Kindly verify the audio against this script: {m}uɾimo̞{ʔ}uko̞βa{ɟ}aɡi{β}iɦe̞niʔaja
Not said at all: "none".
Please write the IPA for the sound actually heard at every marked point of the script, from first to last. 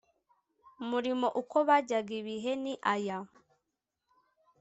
m, ʔ, ɟ, β

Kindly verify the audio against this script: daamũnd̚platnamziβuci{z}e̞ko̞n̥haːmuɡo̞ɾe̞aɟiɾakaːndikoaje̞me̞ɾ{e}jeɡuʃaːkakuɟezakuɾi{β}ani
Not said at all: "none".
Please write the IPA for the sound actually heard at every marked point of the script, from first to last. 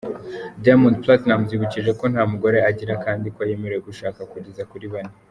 ʒ, e, β

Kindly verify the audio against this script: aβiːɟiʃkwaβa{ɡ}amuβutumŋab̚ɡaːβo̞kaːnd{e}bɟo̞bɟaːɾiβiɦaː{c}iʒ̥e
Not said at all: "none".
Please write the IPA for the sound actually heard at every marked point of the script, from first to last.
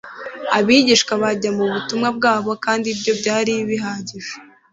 ɟ, i, ɟ

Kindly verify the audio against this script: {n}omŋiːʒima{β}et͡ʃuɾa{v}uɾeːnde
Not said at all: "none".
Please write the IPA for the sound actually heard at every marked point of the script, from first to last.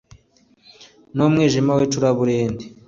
n, w, β

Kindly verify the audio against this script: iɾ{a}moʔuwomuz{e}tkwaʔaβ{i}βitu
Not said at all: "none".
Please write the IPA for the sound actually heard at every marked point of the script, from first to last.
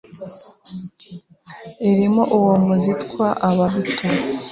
i, i, a

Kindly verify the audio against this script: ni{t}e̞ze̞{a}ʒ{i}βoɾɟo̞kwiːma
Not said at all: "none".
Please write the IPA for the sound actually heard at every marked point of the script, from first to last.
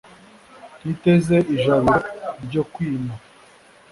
t, i, a

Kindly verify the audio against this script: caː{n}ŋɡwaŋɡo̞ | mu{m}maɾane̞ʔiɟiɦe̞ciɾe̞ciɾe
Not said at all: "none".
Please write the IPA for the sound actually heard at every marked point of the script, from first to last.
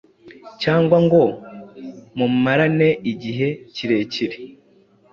none, m

